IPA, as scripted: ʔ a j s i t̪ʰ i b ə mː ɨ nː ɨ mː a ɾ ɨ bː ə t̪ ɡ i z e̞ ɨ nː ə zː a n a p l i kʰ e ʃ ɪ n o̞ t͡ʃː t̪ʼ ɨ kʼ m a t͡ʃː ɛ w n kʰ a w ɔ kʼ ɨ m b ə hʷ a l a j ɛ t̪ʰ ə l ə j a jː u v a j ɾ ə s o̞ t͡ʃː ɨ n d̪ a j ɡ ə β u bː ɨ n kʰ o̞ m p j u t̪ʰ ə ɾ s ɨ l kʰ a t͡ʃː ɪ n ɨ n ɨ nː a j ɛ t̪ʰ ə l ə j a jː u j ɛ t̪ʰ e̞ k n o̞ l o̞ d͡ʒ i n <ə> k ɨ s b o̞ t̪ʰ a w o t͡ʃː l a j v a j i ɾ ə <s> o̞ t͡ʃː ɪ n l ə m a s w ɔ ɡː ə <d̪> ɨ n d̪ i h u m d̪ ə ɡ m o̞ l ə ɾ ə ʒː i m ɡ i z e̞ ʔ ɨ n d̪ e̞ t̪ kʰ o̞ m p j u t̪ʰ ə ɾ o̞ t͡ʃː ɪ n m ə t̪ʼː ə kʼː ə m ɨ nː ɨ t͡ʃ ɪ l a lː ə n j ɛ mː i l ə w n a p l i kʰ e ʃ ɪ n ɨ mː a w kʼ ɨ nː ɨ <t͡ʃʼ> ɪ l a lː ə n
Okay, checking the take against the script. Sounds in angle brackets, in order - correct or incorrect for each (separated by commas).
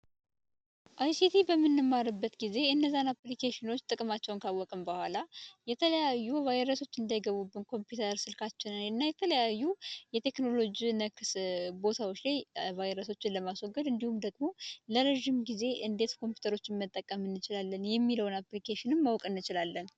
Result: correct, correct, correct, incorrect